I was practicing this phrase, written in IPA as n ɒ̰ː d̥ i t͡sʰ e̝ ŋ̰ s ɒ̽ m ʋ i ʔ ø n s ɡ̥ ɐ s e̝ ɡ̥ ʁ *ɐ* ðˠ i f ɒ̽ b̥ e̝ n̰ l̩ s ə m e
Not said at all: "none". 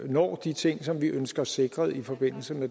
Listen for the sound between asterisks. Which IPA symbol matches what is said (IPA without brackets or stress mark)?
ɐ